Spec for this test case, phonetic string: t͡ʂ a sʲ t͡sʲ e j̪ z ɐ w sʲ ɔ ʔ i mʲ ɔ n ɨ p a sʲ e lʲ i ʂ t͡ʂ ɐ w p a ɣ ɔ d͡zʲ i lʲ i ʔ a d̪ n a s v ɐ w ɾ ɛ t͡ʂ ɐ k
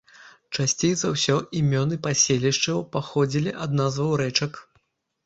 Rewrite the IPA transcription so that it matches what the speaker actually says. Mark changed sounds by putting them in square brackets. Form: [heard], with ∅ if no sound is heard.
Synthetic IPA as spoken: t͡ʂ a sʲ t͡sʲ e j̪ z ɐ w sʲ ɔ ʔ i mʲ ɔ n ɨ p a sʲ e lʲ i ʂ t͡ʂ ɐ w p a [x] ɔ d͡zʲ i lʲ i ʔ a d̪ n a [z] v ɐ w ɾ ɛ t͡ʂ ɐ k